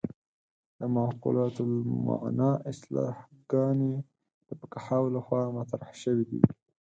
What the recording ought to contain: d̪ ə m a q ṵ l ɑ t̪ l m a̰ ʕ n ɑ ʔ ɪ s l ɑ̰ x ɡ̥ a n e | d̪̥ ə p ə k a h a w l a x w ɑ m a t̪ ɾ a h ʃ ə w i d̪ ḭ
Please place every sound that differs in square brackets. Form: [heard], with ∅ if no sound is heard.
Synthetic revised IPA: d̪ ə m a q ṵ l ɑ t̪ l m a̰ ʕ n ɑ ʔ ɪ s l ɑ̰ [h] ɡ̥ [ɑ] n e | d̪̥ ə p ə k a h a w l a x w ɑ m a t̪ ɾ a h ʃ ə w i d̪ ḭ

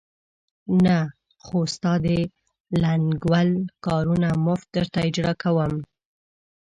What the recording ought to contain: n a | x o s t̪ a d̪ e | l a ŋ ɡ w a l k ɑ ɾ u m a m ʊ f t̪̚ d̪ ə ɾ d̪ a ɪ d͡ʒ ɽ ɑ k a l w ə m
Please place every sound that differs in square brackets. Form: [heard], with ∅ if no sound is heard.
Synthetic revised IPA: n a | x o s t̪ [ɑ] d̪ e | l a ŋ ɡ w a l k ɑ ɾ u [n] a m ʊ f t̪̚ d̪ ə ɾ [t̪] a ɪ d͡ʒ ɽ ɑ k a [∅] w ə m

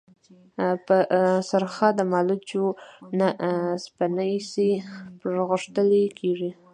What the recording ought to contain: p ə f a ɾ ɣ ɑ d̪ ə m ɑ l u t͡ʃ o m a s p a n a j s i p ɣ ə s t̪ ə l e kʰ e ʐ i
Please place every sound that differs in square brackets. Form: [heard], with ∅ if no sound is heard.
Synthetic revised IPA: p ə [s] a ɾ [x] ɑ d̪ ə m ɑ l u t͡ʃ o [n] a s p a n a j s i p ɣ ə [ʂ] t̪ ə l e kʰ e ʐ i

